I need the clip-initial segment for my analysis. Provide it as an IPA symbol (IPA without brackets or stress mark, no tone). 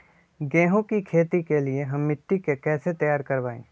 ɡ